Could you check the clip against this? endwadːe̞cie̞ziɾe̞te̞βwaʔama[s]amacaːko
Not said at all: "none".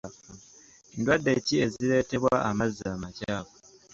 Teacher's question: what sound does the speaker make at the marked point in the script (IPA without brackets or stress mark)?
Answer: z